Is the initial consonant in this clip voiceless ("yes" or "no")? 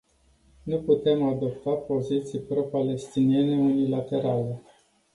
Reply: no